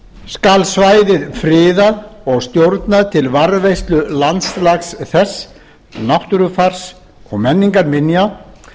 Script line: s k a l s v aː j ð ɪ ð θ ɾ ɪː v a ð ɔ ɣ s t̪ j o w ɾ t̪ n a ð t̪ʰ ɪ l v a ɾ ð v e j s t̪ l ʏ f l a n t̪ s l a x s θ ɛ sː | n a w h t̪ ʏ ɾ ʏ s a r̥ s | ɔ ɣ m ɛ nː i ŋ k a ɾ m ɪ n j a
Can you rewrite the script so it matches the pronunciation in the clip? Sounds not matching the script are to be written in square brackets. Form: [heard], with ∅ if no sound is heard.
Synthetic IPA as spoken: s k a l s v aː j ð ɪ ð [f] ɾ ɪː [ð] a ð ɔ ɣ s t̪ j o w ɾ t̪ n a ð t̪ʰ ɪ l v a ɾ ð v e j s t̪ l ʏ [∅] l a n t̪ s l a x s θ ɛ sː | n a w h t̪ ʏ ɾ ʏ [f] a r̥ s | ɔ ɣ m ɛ nː i ŋ k a ɾ m ɪ n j a